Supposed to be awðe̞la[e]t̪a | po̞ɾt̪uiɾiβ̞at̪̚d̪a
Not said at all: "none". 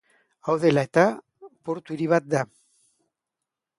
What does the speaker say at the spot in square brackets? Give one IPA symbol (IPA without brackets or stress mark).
e